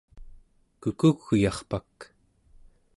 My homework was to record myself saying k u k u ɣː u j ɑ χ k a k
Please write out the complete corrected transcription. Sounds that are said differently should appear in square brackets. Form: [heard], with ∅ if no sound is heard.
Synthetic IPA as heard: k u k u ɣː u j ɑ χ [p] a k